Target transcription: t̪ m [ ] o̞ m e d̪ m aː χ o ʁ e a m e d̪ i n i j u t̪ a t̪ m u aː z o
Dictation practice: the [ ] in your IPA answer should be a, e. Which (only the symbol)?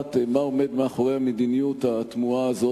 a